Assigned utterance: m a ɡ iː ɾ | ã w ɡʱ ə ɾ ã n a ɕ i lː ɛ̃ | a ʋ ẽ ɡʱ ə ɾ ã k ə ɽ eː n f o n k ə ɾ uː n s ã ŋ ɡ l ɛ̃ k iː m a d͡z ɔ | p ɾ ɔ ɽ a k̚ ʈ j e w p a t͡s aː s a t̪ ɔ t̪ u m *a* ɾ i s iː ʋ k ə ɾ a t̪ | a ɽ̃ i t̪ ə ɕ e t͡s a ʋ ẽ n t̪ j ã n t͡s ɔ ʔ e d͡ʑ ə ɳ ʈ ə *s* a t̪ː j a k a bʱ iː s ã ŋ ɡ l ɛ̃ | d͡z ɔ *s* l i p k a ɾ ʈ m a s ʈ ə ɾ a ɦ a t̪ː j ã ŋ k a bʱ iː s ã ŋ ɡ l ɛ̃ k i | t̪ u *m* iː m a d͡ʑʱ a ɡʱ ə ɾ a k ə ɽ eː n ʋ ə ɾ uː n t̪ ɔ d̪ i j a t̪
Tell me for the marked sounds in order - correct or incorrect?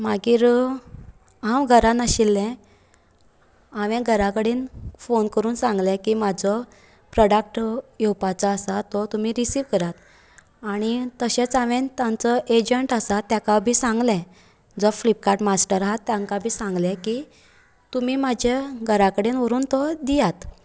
incorrect: i, correct, incorrect: f, correct

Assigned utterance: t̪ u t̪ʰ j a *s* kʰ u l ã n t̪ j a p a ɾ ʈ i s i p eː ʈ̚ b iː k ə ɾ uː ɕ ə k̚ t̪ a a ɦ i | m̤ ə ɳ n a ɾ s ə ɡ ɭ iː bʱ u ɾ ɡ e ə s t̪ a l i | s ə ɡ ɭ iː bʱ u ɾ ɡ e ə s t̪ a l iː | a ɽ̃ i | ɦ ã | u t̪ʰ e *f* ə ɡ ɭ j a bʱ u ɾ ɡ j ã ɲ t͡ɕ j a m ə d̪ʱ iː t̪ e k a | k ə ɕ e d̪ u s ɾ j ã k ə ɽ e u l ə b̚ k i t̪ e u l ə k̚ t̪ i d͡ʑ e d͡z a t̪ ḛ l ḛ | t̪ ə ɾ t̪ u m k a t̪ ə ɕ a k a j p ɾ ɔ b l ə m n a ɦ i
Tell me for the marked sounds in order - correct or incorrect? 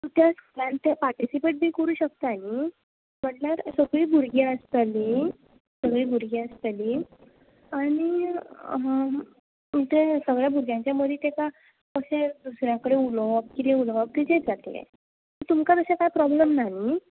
correct, incorrect: s

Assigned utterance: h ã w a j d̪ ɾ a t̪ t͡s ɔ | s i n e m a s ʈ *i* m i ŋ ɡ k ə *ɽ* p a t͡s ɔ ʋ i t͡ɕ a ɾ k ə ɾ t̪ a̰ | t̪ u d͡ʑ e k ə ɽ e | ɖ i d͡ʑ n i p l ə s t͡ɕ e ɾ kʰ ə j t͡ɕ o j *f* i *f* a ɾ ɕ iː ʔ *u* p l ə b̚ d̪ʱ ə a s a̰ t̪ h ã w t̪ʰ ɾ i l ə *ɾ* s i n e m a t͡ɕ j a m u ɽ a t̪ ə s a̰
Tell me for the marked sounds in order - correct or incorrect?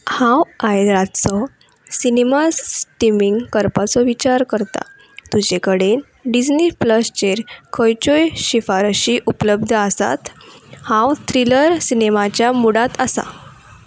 correct, incorrect: ɾ, incorrect: ɕ, correct, correct, correct

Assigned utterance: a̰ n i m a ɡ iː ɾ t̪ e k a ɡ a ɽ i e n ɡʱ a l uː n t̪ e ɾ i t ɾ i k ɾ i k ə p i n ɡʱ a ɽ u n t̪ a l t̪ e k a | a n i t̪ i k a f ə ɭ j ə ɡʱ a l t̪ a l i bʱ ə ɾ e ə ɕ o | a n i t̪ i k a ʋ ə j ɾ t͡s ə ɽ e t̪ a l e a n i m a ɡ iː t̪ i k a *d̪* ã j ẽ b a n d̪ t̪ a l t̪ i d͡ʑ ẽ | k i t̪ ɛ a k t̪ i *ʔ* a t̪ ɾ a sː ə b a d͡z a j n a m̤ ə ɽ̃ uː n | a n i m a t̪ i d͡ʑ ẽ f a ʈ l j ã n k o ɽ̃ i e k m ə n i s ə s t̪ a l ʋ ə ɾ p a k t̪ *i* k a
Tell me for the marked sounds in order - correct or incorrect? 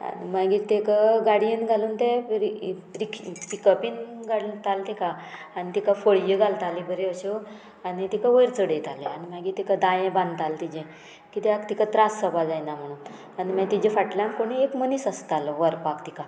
correct, incorrect: k, correct

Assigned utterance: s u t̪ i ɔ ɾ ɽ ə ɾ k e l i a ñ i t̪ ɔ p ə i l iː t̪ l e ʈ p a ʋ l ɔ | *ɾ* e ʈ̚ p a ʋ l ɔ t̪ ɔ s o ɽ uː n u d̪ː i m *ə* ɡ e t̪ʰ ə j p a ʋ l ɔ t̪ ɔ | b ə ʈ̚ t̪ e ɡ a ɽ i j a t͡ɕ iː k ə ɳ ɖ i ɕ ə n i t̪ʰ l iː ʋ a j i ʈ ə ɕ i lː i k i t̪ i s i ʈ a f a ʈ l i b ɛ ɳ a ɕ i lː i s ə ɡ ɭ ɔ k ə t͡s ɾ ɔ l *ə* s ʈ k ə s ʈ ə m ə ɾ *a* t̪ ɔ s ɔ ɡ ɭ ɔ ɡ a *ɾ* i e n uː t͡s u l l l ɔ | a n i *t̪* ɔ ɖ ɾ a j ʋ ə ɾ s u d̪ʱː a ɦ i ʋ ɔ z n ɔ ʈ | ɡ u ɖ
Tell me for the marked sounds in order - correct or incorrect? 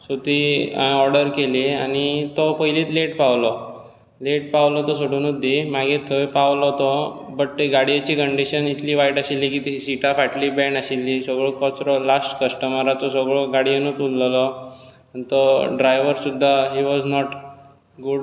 incorrect: l, incorrect: a, incorrect: a, correct, incorrect: ɽ, correct

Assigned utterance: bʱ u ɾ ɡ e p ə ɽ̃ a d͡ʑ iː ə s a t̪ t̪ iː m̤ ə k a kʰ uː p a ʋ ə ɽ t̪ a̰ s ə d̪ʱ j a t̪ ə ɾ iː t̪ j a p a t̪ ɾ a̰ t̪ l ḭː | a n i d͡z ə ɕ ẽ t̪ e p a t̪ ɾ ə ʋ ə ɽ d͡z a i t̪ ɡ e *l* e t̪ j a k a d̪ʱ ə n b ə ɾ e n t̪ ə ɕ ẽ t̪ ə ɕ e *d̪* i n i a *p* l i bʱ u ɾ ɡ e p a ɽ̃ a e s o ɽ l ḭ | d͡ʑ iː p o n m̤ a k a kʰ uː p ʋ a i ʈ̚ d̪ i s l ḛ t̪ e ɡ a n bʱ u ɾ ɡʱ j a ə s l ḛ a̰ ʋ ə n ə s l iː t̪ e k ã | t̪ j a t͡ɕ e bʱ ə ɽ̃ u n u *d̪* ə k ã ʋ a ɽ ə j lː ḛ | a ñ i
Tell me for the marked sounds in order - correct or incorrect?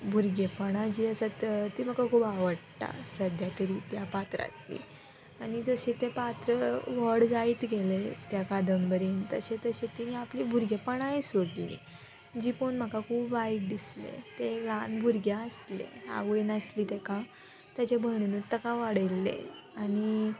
correct, incorrect: t̪, correct, incorrect: t̪

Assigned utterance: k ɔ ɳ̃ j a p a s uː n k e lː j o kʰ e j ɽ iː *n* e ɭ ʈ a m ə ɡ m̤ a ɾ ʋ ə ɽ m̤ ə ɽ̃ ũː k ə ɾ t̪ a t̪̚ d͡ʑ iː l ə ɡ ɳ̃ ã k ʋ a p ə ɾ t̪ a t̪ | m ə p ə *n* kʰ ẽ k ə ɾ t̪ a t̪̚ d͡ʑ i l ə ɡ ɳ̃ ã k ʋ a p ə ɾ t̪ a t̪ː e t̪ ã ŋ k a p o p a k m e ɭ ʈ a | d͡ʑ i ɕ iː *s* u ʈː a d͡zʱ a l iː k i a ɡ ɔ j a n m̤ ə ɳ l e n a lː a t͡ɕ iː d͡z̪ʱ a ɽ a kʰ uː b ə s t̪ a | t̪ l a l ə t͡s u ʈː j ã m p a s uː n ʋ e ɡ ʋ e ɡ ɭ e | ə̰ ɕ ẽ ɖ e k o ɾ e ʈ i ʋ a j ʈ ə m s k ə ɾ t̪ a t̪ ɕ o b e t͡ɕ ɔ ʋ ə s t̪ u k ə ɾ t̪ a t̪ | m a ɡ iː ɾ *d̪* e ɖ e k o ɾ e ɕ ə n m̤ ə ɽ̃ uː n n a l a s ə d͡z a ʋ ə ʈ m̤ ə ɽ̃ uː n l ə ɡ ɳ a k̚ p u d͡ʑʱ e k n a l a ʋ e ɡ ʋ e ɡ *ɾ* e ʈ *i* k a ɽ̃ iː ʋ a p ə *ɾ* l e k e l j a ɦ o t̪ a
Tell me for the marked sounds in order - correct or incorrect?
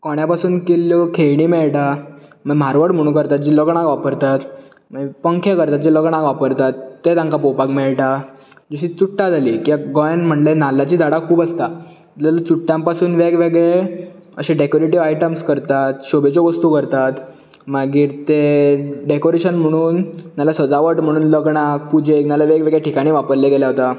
incorrect: m, incorrect: ŋ, incorrect: t͡s, incorrect: t̪, incorrect: ɭ, correct, correct

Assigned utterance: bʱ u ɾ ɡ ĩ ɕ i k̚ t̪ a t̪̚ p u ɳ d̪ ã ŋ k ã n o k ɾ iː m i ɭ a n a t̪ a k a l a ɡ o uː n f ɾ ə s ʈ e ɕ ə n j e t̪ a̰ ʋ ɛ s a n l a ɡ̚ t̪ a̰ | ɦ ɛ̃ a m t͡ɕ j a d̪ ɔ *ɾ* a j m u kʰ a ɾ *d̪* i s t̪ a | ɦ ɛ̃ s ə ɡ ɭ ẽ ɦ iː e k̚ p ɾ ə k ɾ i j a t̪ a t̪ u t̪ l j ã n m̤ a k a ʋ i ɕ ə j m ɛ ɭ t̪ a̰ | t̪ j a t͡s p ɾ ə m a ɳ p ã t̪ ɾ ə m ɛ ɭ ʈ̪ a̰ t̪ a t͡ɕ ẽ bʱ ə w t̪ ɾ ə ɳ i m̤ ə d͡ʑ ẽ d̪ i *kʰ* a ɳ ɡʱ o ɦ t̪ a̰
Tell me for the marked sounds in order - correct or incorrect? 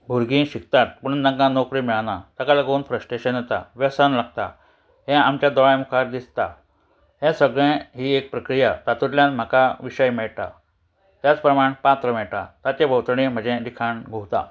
incorrect: ɭ, correct, correct

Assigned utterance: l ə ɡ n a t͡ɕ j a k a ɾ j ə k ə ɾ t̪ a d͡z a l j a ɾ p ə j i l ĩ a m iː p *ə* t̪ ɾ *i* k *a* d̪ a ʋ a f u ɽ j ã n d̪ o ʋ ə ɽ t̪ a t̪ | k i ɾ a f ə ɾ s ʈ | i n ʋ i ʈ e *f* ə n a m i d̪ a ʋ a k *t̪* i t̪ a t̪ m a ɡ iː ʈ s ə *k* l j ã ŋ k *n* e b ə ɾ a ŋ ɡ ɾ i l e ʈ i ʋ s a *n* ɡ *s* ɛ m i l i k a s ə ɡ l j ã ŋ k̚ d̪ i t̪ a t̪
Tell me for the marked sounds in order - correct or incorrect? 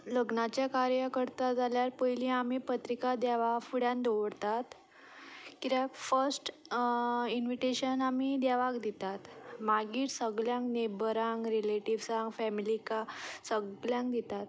correct, correct, correct, incorrect: ɕ, incorrect: d̪, incorrect: ɡ, correct, incorrect: ŋ, incorrect: f

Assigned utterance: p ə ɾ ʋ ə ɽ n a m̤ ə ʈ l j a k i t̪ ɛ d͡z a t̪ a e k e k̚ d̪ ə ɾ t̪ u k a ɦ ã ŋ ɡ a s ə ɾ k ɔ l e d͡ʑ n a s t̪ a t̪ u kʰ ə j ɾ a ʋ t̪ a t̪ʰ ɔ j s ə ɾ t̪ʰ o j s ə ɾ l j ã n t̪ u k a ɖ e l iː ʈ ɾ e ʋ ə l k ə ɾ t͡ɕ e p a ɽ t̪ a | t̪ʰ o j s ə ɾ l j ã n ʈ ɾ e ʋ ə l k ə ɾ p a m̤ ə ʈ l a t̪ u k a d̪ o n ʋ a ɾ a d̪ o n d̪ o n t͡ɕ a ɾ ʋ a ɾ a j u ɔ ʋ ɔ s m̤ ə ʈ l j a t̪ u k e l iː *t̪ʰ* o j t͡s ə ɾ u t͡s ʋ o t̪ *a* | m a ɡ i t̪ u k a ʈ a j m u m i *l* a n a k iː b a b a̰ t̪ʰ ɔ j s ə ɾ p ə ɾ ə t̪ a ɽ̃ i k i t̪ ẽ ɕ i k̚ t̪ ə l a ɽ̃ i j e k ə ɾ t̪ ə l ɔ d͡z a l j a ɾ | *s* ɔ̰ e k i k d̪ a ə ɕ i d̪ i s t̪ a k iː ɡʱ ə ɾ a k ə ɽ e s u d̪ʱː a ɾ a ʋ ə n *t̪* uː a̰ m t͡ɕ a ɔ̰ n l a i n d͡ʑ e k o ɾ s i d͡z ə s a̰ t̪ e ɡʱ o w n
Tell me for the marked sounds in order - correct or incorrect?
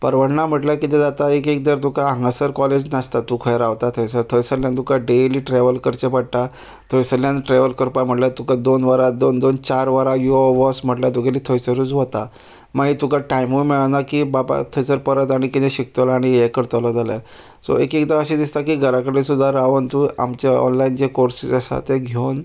correct, correct, incorrect: ɭ, correct, correct

